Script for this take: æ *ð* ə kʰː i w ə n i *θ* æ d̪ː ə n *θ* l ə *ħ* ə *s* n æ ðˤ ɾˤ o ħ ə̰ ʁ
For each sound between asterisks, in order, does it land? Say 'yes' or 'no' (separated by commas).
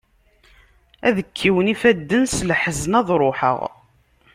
yes, no, no, yes, no